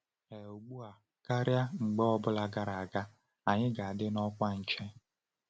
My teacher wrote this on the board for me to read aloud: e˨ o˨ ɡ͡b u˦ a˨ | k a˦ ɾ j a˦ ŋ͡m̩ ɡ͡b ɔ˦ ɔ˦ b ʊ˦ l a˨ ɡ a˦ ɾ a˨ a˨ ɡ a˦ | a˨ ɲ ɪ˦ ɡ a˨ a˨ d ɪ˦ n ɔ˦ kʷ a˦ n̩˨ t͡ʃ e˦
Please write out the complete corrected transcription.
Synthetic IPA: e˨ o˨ ɡ͡b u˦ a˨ | k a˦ ɾ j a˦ ŋ͡m̩ ɡ͡b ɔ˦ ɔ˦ b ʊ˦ l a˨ ɡ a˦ ɾ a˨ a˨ ɡ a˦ | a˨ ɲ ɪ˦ ɡ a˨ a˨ d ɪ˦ n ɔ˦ kʷ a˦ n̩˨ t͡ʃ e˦